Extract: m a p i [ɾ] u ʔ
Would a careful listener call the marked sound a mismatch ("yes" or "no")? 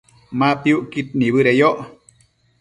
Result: yes